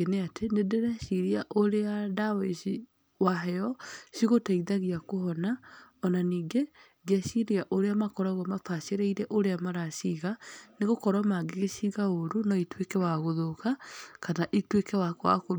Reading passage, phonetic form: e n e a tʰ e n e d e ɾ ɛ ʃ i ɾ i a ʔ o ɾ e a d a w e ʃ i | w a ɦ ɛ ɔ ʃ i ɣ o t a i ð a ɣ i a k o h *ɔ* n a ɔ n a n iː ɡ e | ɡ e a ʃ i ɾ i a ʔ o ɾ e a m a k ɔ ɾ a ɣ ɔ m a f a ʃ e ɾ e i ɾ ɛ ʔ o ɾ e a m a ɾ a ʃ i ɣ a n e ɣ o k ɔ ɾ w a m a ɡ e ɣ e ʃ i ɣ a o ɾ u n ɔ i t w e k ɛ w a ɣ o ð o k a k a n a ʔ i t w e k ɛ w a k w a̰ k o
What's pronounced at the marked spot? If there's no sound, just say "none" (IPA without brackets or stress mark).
ɔ